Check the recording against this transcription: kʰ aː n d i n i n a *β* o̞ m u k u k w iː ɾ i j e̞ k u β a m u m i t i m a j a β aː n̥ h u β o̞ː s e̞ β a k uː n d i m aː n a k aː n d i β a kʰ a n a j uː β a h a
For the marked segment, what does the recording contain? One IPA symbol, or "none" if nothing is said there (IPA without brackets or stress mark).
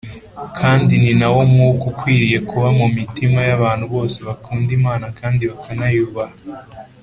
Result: w